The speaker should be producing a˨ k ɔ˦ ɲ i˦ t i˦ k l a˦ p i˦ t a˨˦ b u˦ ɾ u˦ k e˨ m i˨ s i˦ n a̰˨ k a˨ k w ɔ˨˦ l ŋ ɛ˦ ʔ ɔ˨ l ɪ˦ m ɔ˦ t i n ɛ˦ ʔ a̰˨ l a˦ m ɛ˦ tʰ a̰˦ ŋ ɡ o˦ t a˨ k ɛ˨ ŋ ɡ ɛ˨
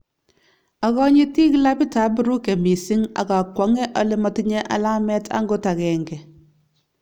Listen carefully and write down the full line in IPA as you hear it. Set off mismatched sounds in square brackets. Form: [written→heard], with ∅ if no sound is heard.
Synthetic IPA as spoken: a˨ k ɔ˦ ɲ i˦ t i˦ k l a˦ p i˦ t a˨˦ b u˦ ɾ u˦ k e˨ m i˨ s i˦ [n→ŋ] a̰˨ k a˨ k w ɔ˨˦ [l→∅] ŋ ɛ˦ ʔ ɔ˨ l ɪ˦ m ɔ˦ t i [n→ɲ] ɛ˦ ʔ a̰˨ l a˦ m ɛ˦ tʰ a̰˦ ŋ ɡ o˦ t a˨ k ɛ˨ ŋ ɡ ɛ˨